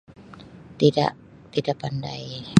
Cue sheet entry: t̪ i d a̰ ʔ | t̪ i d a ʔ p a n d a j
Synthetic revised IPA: t̪ i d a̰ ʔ | t̪ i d a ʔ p a n d a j

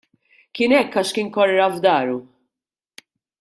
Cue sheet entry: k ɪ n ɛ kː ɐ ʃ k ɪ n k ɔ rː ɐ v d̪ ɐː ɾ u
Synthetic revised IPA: k ɪ n ɛ kː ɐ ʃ k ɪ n k ɔ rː ɐ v d̪ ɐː ɾ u

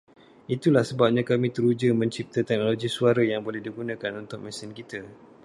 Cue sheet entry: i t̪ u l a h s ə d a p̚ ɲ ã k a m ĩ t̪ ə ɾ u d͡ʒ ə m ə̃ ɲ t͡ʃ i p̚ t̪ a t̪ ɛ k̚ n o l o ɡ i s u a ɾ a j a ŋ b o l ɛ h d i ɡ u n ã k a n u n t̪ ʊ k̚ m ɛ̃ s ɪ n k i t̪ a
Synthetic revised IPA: i t̪ u l a h s ə b a p̚ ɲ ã k a m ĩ t̪ ə ɾ u d͡ʒ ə m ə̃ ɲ t͡ʃ i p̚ t̪ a t̪ ɛ k̚ n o l o ɡ i s u a ɾ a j a ŋ b o l ɛ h d i ɡ u n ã k a n u n t̪ ʊ k̚ m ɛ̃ s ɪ n k i t̪ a

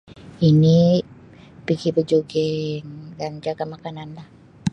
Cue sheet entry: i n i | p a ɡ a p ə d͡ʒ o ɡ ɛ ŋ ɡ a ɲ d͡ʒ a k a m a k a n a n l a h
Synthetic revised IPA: i n i | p i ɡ i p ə d͡ʒ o ɡ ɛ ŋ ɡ a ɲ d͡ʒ a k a m a k a n a n l a h

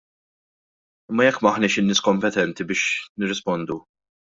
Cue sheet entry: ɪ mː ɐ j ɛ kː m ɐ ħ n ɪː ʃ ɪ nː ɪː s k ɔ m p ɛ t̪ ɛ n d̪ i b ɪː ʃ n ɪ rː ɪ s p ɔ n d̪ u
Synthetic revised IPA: ɪ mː ɐ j ɛ kː m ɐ ħ n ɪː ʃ ɪ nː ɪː s k ɔ m p ɛ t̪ ɛ n t̪ i b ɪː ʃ n ɪ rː ɪ s p ɔ n d̪ u

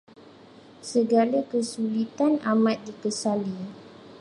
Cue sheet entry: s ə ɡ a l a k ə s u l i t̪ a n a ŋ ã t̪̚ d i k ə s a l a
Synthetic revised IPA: s ə ɡ a l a k ə s u l i t̪ a n a m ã t̪̚ d i k ə s a l i

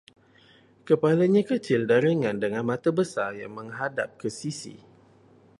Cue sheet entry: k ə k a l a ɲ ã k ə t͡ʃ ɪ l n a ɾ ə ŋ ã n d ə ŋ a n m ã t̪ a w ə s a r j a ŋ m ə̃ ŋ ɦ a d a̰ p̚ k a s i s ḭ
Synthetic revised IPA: k ə p a l a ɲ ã k ə t͡ʃ ɪ l d a ɾ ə ŋ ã n d ə ŋ a n m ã t̪ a b ə s a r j a ŋ m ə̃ ŋ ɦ a d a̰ p̚ k ə s i s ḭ

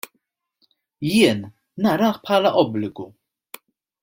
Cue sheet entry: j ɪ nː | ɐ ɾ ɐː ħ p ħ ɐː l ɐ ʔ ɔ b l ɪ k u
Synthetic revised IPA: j ɪː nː | ɐ ɾ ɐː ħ p ħ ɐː l ɐ ʔ ɔ b l ɪ ɡ u

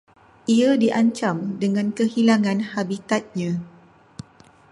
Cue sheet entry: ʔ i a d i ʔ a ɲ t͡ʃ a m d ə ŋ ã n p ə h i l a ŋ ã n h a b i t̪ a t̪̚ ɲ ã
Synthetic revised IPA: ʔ i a d i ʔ a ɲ t͡ʃ a m d ə ŋ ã n k ə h i l a ŋ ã n h a b i t̪ a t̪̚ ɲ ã

